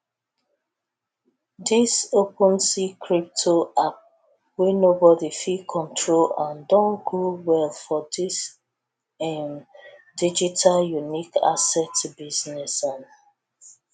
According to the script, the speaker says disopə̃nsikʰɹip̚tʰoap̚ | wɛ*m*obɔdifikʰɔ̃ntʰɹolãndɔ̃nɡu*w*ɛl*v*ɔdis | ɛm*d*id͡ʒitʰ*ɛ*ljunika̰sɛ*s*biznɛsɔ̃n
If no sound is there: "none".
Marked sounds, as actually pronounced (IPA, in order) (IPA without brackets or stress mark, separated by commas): n, w, f, d, a, t